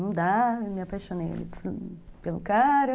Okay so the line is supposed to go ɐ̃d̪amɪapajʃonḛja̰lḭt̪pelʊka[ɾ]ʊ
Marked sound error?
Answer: no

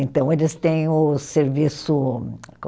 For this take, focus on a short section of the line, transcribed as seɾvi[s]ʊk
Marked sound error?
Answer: no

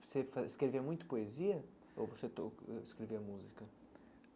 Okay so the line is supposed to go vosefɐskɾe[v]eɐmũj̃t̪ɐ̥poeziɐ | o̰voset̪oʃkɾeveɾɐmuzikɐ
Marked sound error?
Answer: no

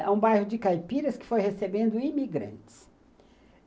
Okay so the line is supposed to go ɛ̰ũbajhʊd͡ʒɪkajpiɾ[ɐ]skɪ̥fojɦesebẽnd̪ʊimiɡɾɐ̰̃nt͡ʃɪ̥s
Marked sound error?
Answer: no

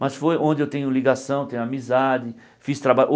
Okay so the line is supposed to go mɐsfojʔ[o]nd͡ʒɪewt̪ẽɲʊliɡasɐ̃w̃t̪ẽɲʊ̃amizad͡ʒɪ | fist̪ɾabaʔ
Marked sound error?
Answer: yes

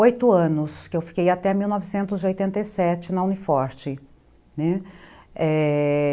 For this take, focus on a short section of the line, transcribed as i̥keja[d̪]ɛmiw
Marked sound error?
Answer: yes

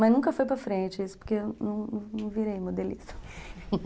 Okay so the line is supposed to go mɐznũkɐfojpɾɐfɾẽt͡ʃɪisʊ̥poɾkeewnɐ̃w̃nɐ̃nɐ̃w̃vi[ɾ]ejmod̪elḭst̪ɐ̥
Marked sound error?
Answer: no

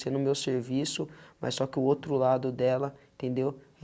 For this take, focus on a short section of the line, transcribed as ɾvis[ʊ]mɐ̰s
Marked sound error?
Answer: no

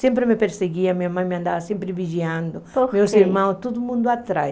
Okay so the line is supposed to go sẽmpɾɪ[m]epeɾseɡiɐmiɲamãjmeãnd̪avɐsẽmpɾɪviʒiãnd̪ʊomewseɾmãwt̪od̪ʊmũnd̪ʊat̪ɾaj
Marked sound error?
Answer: no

